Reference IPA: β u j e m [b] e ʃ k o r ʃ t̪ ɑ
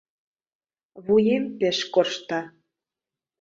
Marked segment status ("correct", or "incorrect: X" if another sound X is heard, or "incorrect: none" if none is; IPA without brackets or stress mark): incorrect: p